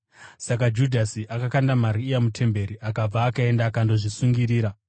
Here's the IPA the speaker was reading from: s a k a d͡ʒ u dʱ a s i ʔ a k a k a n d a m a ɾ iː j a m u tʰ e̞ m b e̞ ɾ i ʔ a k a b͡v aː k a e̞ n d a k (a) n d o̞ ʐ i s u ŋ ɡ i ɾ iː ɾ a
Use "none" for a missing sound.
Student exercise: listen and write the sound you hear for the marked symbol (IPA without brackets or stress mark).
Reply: a